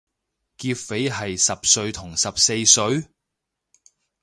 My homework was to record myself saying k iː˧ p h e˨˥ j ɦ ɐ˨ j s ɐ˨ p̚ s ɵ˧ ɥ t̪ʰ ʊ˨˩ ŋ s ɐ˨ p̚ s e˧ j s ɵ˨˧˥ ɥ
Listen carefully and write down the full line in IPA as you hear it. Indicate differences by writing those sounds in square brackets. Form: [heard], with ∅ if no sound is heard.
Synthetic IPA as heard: k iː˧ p [f] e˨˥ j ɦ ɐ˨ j s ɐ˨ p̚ s ɵ˧ ɥ t̪ʰ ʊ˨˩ ŋ s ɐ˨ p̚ s e˧ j s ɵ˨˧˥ ɥ

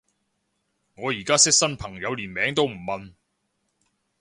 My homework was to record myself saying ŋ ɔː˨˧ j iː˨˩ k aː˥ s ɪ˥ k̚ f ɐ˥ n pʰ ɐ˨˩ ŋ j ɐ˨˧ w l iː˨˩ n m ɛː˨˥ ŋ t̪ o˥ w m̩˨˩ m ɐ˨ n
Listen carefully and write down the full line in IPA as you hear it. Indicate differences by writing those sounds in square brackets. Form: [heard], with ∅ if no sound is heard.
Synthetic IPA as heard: ŋ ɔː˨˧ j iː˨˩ k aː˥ s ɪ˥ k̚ [s] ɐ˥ n pʰ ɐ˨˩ ŋ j ɐ˨˧ w l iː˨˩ n m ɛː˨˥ ŋ t̪ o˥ w m̩˨˩ m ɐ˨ n

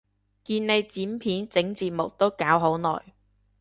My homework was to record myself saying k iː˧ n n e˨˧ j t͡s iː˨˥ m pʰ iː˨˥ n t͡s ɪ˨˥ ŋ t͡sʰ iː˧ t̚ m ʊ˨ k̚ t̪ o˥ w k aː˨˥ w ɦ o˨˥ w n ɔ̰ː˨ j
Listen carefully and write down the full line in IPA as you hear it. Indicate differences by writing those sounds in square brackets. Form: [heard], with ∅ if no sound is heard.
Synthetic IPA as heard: k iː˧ n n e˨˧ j t͡s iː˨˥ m pʰ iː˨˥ n t͡s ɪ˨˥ ŋ [t͡s] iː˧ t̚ m ʊ˨ k̚ t̪ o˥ w k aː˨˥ w ɦ o˨˥ w n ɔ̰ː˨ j

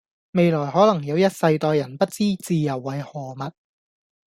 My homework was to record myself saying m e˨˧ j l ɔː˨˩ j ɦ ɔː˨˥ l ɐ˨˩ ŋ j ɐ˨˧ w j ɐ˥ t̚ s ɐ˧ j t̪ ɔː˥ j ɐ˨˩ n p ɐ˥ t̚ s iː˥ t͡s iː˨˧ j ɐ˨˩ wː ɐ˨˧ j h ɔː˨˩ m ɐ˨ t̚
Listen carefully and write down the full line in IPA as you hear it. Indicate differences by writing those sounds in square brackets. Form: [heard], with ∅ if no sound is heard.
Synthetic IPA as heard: m e˨˧ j l ɔː˨˩ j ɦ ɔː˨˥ l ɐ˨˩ ŋ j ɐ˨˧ w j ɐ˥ t̚ s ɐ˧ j t̪ [ɔː˧] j ɐ˨˩ n p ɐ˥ t̚ [t͡s] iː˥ t͡s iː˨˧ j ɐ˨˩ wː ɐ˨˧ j h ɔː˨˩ m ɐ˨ t̚

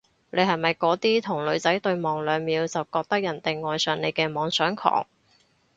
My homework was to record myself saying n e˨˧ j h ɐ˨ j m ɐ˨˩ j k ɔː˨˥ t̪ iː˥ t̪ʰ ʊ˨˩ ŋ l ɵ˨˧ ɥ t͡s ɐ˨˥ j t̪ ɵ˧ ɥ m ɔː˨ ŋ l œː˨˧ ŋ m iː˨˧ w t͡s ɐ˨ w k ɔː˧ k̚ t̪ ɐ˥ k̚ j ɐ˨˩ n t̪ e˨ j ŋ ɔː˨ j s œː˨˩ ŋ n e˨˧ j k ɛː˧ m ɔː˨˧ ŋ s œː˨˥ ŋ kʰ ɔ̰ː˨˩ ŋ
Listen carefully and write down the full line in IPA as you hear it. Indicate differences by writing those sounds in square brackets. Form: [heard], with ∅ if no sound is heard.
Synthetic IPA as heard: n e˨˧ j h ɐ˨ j m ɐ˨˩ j k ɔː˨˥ t̪ iː˥ t̪ʰ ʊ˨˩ ŋ l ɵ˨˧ ɥ t͡s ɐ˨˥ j t̪ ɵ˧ ɥ m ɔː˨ ŋ l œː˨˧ ŋ m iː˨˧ w t͡s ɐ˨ w k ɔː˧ k̚ t̪ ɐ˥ k̚ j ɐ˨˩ n t̪ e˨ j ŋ ɔː˨ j s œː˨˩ ŋ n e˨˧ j k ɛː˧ m ɔː˨˧ ŋ s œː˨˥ ŋ kʰ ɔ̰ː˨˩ ŋ

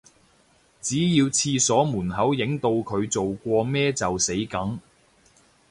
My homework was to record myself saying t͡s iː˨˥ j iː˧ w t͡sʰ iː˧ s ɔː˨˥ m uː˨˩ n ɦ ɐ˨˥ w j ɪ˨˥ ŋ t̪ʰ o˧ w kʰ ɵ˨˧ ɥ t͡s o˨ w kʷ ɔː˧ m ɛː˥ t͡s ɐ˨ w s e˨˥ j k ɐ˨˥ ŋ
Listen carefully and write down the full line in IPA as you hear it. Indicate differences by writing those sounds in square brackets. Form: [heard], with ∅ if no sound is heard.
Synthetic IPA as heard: t͡s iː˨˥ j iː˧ w t͡sʰ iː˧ s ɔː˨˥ m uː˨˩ n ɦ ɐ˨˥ w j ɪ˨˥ ŋ [t̪] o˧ w kʰ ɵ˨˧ ɥ t͡s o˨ w kʷ ɔː˧ m ɛː˥ t͡s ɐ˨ w s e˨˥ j k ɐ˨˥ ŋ

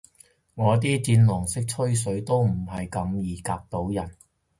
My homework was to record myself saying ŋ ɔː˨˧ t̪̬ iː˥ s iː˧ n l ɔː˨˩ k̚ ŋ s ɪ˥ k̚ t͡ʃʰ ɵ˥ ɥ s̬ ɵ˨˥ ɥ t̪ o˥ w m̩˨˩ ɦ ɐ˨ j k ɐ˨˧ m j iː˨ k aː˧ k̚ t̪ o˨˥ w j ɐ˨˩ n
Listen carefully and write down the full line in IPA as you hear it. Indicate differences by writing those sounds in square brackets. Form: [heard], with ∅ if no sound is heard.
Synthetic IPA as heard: ŋ ɔː˨˧ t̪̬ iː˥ [t͡s] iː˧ n l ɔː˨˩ [∅] ŋ s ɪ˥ k̚ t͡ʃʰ ɵ˥ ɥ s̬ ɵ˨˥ ɥ t̪ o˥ w m̩˨˩ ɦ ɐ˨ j k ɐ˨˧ m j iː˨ k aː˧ k̚ t̪ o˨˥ w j ɐ˨˩ n

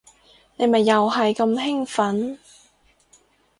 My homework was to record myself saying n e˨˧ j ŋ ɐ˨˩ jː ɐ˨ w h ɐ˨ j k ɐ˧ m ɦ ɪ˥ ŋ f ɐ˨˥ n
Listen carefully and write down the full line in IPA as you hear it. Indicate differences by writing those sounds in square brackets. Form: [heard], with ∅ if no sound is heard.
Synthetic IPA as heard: n e˨˧ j [m] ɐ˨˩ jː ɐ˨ w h ɐ˨ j k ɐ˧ m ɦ ɪ˥ ŋ f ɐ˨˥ n

